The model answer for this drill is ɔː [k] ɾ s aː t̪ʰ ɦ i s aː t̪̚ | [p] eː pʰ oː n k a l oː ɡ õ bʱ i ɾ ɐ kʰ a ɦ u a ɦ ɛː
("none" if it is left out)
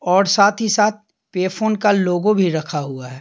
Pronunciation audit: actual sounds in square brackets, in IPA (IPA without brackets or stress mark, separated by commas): none, p